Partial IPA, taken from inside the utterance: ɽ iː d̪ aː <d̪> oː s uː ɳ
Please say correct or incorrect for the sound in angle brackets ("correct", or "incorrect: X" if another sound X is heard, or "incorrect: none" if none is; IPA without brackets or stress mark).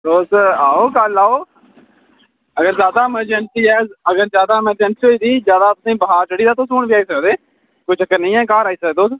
incorrect: t̪